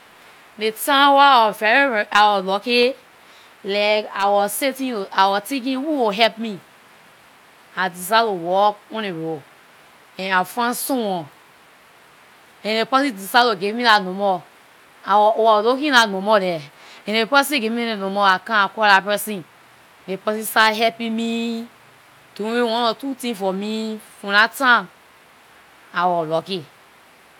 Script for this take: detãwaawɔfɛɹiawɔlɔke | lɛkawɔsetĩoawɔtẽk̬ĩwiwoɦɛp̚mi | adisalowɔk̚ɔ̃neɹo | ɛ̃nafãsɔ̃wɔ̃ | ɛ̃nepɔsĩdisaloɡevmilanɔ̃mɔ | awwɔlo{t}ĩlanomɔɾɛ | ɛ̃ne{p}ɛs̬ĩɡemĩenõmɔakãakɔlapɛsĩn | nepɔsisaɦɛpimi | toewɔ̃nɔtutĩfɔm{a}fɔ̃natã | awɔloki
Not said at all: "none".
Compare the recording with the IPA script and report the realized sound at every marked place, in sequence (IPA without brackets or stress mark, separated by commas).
k, p, i